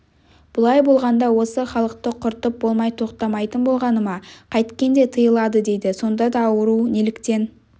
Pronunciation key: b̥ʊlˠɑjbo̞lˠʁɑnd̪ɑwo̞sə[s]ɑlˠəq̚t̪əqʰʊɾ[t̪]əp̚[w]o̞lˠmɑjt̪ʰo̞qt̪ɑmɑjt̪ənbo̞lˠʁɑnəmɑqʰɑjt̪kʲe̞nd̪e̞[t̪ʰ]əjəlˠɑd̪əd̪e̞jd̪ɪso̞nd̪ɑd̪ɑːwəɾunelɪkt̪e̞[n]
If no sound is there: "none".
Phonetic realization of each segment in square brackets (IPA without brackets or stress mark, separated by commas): χ, t̪, b, t̪ʰ, n